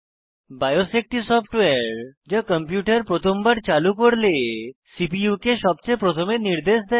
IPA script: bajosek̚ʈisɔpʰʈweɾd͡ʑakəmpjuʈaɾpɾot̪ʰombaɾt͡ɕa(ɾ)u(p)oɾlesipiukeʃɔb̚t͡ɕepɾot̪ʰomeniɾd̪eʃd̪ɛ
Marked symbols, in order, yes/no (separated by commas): no, no